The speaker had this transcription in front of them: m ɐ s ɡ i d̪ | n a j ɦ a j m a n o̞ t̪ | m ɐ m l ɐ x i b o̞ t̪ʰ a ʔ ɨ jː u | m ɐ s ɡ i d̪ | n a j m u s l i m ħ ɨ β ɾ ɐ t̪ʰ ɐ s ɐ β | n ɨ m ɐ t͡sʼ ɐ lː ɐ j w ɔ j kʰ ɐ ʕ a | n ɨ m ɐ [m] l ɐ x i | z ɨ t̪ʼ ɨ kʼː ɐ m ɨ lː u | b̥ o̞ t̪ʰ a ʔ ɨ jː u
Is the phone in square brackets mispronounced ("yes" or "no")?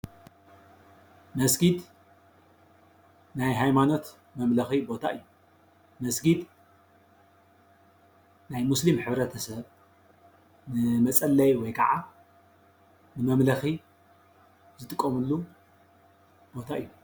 no